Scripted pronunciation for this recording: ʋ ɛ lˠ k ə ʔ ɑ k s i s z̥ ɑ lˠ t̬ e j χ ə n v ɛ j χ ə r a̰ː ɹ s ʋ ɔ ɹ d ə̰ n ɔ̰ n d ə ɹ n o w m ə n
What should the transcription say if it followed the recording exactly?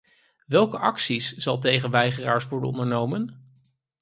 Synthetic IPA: ʋ ɛ lˠ k ə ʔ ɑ k s i s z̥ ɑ lˠ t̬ e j χ ə n ʋ ɛ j χ ə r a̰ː ɹ s ʋ ɔ ɹ d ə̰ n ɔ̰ n d ə ɹ n o w m ə n